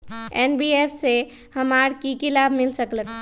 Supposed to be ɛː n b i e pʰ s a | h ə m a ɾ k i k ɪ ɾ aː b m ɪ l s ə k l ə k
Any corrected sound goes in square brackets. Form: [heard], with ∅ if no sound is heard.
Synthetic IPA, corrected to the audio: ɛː n b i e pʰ s [e] | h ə m a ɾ k i k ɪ [l] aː b m ɪ l s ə k l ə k

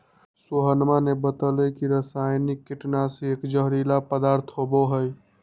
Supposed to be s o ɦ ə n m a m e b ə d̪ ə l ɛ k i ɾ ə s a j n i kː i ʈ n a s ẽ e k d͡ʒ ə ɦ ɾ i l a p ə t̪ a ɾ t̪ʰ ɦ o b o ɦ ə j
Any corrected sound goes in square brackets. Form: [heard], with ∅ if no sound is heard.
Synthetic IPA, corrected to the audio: s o ɦ ə n m a [n] e b ə [t̪] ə l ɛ k i ɾ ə s a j n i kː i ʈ n a s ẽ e k d͡ʒ ə ɦ ɾ i l a p ə [d̪] a ɾ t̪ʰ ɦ o b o ɦ ə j

